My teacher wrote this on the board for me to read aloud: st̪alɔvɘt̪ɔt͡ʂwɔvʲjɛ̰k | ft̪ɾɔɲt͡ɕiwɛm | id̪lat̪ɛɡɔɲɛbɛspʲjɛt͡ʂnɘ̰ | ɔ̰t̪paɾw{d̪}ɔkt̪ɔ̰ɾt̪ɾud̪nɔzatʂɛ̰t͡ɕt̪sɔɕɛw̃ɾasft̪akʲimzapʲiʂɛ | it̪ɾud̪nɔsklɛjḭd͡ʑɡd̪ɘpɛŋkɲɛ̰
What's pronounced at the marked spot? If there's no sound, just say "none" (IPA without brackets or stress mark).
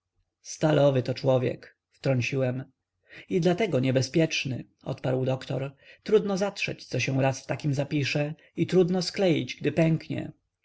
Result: d̪